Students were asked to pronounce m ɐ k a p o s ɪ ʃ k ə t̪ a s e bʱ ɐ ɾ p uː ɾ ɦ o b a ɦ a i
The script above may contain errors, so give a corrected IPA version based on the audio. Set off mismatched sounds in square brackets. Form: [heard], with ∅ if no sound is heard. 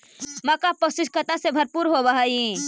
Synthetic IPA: m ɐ k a p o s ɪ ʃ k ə t̪ a s e bʱ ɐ ɾ p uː ɾ ɦ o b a ɦ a i